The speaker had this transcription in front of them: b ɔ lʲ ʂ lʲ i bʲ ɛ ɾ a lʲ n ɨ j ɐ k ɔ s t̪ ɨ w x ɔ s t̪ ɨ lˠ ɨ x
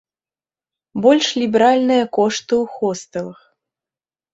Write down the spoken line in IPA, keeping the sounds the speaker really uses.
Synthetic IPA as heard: b ɔ lʲ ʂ lʲ i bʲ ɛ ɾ a lʲ n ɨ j ɐ k ɔ ʂ t̪ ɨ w x ɔ s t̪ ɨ lˠ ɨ x

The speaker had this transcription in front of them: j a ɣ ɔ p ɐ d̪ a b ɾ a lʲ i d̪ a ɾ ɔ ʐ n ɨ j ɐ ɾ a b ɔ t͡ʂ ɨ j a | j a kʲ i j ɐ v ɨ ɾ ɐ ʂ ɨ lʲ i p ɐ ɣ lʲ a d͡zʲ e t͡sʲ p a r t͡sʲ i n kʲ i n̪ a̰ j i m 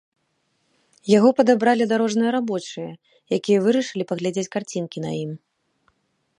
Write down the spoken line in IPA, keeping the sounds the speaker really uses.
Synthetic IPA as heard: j a ɣ ɔ p ɐ d̪ a b ɾ a lʲ i d̪ a ɾ ɔ ʐ n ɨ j ɐ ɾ a b ɔ t͡ʂ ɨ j ɐ | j a kʲ i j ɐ v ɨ ɾ ɐ ʂ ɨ lʲ i p ɐ ɣ lʲ a d͡zʲ e t͡sʲ k a r t͡sʲ i n kʲ i n̪ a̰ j i m

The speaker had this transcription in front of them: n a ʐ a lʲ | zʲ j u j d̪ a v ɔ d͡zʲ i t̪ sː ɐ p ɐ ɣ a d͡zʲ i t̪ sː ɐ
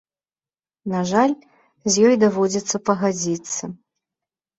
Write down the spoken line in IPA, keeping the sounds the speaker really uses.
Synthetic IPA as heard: n a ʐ a lʲ | zʲ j ɔ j d̪ a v ɔ d͡zʲ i t̪ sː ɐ p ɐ ɣ a d͡zʲ i t̪ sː ɐ

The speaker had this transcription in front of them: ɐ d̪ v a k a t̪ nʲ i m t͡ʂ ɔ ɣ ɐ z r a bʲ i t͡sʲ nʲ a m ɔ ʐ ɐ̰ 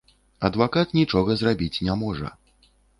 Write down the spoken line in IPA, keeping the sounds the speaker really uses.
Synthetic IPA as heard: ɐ d̪ v a k a t̪ nʲ i t͡ʂ ɔ ɣ ɐ z r a bʲ i t͡sʲ nʲ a m ɔ ʐ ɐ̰

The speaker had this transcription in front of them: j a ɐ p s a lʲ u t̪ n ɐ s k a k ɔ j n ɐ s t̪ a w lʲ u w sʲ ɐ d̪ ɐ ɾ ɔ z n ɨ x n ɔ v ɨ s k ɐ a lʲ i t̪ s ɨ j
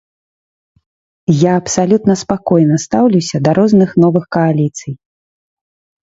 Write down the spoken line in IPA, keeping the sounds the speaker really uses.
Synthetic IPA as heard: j a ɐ p s a lʲ u t̪ n ɐ s p a k ɔ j n ɐ s t̪ a w lʲ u w sʲ ɐ d̪ ɐ ɾ ɔ z n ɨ x n ɔ v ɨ x k ɐ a lʲ i t̪ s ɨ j

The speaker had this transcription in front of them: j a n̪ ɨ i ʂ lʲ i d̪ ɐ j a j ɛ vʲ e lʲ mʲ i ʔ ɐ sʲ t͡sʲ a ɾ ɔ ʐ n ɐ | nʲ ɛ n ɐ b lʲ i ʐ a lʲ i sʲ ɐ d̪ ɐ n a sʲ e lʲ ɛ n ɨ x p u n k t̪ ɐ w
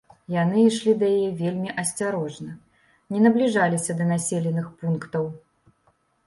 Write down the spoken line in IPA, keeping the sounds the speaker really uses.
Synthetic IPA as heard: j a n̪ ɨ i ʂ lʲ i d̪ ɐ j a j ɛ vʲ e lʲ mʲ i ʔ ɐ sʲ t͡sʲ a ɾ ɔ ʐ n ɐ | nʲ ɛ n ɐ b lʲ i ʐ a lʲ i sʲ ɐ d̪ ɐ n a sʲ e lʲ ɛ n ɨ x p u n k t̪ ɐ w

